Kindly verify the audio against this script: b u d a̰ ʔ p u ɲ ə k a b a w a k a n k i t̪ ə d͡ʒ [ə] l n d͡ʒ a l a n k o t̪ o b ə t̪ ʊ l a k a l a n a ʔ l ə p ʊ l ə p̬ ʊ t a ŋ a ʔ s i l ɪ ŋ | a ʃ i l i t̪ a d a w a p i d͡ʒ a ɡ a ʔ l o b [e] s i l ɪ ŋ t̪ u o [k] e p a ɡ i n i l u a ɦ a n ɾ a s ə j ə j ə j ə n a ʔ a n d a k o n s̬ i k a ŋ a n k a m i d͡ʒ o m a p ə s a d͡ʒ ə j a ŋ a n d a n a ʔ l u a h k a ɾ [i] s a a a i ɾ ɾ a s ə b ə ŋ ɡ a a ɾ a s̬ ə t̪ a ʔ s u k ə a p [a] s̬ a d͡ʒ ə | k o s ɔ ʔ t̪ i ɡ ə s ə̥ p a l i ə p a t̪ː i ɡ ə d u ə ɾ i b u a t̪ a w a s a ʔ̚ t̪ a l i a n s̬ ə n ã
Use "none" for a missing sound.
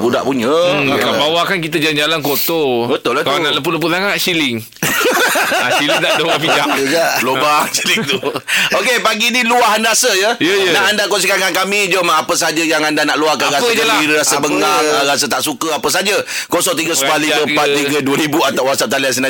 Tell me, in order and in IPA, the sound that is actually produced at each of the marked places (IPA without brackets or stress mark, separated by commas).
a, a, k, a, ə